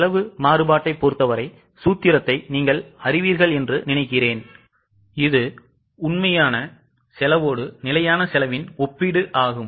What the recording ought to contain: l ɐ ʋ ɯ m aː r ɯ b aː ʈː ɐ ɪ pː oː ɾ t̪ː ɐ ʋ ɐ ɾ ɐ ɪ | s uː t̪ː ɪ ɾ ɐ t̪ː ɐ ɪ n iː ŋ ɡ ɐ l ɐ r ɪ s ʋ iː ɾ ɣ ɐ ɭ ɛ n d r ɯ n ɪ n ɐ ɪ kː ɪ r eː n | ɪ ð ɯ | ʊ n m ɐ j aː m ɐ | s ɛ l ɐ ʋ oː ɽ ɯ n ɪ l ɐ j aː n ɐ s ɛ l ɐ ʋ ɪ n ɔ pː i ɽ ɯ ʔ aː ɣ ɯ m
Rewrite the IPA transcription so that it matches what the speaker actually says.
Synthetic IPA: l ɐ ʋ ɯ m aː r ɯ b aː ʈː ɐ ɪ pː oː ɾ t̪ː ɐ ʋ ɐ ɾ ɐ ɪ | s uː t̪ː ɪ ɾ ɐ t̪ː ɐ ɪ n iː ŋ ɡ ɐ ɭ ɐ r ɪ ʋ iː ɾ ɣ ɐ ɭ ɛ n d r ɯ n ɪ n ɐ ɪ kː ɪ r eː n | ɪ ð ɯ | ʊ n m ɐ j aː n ɐ | s ɛ l ɐ ʋ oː ɽ ɯ n ɪ l ɐ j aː n ɐ s ɛ l ɐ ʋ ɪ n ɔ pː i ɽ ɯ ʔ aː ɣ ɯ m